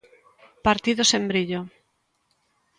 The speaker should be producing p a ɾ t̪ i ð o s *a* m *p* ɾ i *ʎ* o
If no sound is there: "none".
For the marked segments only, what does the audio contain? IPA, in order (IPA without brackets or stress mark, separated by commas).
e, b, ʎ